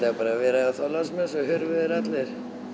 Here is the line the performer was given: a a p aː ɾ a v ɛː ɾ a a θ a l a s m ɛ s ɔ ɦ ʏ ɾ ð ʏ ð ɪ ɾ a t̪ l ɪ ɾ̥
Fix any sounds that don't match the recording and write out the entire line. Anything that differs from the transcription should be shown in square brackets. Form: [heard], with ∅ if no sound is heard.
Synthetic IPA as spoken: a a p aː ɾ a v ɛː ɾ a a θ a l a s m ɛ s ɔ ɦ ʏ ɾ [v] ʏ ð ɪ ɾ a t̪ l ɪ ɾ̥